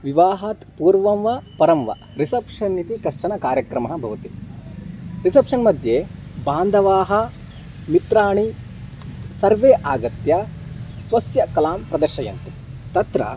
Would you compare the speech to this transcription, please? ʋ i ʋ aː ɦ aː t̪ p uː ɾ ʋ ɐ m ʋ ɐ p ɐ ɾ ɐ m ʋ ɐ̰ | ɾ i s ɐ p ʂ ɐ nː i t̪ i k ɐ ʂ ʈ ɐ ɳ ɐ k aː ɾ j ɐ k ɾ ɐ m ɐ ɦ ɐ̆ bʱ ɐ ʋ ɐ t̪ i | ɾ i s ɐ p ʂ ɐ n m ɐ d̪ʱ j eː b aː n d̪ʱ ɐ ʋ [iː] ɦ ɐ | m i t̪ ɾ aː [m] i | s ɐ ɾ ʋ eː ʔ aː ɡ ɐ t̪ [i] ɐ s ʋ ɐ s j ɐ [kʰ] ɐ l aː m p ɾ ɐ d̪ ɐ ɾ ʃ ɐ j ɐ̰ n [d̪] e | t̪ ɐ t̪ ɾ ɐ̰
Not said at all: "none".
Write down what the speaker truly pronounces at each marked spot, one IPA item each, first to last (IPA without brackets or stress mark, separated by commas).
aː, ɳ, j, k, t̪